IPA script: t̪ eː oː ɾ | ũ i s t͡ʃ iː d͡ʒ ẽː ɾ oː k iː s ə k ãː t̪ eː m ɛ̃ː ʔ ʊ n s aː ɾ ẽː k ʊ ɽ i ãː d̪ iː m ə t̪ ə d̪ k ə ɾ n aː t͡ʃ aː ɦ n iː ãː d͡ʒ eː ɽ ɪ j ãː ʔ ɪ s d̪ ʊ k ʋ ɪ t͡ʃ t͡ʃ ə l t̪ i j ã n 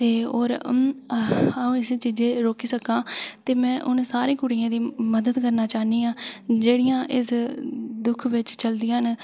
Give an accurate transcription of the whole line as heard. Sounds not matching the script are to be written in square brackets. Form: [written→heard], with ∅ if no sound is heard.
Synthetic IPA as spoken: t̪ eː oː ɾ | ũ [i→ɪ] s t͡ʃ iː d͡ʒ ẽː ɾ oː k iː s ə k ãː t̪ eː m ɛ̃ː ʔ ʊ n s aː ɾ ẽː k ʊ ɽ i ãː d̪ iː m ə [t̪→d̪] ə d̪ k ə ɾ n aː t͡ʃ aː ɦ n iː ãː d͡ʒ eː ɽ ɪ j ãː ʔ ɪ s d̪ ʊ [k→kʰ] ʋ ɪ t͡ʃ t͡ʃ ə l [t̪→d̪] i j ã n